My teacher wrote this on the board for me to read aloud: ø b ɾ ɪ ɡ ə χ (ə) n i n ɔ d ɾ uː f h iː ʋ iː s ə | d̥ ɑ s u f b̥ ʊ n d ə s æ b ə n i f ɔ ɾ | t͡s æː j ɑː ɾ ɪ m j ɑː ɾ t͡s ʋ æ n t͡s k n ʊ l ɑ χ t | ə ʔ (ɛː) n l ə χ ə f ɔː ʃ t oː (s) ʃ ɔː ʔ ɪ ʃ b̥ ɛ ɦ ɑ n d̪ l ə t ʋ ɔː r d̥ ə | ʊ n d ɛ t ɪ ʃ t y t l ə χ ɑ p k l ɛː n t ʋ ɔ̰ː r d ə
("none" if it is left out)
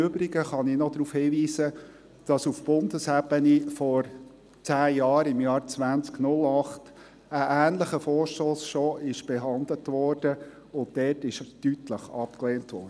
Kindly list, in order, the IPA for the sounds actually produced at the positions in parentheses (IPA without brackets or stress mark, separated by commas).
ɑ, æː, s